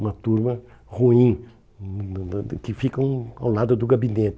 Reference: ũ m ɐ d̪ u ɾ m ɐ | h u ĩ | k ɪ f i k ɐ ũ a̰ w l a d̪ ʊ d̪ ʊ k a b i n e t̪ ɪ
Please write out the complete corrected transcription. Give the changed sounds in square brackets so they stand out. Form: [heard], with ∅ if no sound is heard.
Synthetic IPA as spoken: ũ m ɐ [t̪] u ɾ m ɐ | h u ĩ | k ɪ f i k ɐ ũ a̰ w l a d̪ ʊ d̪ ʊ [ɡ] a b i n e t̪ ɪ